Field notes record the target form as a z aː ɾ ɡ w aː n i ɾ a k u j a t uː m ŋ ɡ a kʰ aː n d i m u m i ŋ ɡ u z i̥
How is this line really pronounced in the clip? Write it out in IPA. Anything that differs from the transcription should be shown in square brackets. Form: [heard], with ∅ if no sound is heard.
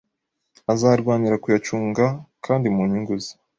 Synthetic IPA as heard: a z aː ɾ ɡ w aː n i ɾ a k u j a [t͡ʃ] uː [∅] ŋ ɡ a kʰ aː n d i m u [ɲ] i ŋ ɡ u z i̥